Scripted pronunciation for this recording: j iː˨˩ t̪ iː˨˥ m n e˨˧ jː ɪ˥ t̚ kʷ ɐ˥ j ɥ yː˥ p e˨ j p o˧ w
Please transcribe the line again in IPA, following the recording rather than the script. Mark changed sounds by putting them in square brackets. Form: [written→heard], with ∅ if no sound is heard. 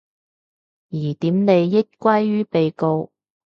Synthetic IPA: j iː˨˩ t̪ iː˨˥ m n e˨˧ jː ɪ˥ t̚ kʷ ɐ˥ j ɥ yː˥ p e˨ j [p→k] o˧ w